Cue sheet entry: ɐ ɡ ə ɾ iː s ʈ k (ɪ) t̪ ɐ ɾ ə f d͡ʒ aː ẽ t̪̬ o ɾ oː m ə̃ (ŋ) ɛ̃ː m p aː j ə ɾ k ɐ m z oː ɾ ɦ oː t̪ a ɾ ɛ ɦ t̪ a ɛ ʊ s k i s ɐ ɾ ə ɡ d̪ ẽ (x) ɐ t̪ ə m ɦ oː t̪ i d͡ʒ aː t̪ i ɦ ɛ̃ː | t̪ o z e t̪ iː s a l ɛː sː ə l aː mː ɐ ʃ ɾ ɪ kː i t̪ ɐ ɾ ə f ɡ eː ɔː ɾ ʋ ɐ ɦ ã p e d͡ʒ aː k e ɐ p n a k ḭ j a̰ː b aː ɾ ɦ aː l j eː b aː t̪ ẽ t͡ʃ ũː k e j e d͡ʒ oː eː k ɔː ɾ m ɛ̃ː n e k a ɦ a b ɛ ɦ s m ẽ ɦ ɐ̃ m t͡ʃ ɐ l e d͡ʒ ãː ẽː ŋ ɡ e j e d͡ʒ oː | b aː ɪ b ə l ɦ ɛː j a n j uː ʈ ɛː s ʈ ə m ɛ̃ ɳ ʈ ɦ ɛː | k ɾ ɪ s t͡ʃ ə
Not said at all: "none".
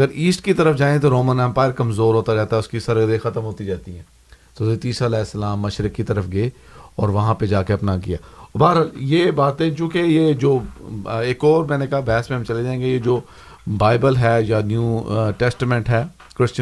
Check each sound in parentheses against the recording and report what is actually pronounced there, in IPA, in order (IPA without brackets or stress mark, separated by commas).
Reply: i, n, x